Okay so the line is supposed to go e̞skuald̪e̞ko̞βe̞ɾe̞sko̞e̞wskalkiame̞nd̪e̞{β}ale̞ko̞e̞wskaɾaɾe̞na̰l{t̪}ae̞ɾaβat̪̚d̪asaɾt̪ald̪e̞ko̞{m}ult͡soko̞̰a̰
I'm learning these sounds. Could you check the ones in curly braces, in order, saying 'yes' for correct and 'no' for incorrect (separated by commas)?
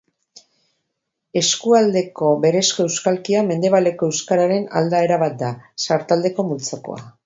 yes, no, yes